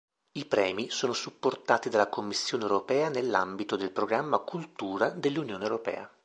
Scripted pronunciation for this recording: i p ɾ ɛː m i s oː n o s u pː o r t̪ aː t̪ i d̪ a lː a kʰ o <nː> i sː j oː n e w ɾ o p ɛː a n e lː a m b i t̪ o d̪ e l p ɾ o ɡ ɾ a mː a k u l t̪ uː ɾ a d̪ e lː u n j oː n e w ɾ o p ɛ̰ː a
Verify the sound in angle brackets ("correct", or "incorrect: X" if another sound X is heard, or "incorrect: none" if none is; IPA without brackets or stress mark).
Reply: incorrect: mː